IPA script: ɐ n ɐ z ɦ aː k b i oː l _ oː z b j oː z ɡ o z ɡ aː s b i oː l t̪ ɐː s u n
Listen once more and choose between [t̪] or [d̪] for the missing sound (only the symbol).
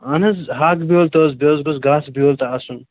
t̪